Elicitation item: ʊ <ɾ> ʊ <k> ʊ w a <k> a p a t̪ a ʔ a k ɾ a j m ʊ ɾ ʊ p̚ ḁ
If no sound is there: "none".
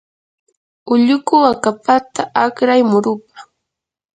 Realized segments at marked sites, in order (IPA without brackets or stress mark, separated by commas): ʎ, k, k